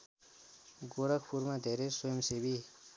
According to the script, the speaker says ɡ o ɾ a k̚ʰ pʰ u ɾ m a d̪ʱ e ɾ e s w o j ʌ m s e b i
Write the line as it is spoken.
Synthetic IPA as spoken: ɡ o ɾ ʌ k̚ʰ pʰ u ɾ m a d̪ʱ e ɾ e s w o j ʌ m s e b i